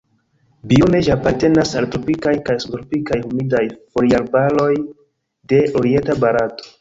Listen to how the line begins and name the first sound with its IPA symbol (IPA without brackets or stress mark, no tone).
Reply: b